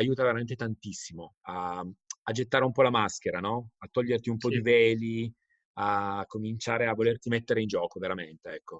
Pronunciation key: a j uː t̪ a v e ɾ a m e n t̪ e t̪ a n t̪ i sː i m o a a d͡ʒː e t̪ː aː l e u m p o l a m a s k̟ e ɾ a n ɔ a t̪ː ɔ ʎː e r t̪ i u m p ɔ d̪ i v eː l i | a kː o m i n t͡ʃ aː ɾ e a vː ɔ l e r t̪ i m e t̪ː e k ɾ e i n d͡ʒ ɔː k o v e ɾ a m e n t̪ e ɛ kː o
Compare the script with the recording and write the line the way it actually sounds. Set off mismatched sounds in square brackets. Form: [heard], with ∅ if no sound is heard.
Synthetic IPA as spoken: a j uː t̪ a v e ɾ a m e n t̪ e t̪ a n t̪ i sː i m o a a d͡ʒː e t̪ː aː [ɾ] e u m p [ɔ] l a m a s k̟ e ɾ a n ɔ a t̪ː ɔ ʎː e r t̪ i u m p ɔ d̪ i v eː l i | a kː o m i n t͡ʃ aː ɾ e a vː [o] l e r t̪ i m e t̪ː e [∅] ɾ e i n d͡ʒ ɔː k o v e ɾ a m e n t̪ e ɛ kː o